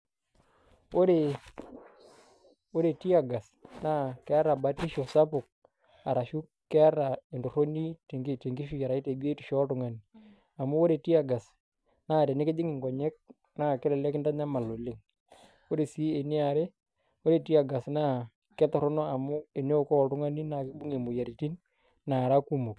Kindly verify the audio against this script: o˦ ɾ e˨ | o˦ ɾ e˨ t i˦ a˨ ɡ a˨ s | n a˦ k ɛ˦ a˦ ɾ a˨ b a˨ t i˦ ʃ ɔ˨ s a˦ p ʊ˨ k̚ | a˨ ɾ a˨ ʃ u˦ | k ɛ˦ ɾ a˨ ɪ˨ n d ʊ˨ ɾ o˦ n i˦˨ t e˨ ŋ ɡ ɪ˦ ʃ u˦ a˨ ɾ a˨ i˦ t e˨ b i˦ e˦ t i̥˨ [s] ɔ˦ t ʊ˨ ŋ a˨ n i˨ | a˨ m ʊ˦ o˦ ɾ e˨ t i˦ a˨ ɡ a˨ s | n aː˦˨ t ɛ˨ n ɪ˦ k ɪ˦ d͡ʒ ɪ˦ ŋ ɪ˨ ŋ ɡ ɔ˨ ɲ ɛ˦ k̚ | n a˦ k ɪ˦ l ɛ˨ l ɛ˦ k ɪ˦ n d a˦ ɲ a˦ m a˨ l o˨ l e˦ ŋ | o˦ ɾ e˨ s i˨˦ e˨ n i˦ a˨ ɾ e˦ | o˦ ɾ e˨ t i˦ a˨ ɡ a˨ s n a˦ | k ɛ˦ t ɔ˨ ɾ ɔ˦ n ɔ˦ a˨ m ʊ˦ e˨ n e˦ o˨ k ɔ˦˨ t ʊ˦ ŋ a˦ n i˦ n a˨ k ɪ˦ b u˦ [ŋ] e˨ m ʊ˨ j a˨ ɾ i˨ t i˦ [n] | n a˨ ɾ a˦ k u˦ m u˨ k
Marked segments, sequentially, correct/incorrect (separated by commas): incorrect, correct, correct